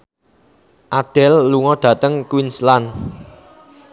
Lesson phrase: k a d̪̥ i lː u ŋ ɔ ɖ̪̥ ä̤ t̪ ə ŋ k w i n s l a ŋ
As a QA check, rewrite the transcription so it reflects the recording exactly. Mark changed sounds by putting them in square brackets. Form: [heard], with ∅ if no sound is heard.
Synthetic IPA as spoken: [ʔ] a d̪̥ [ɛ] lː u ŋ ɔ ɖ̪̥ ä̤ t̪ ə ŋ k w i n s l a [n]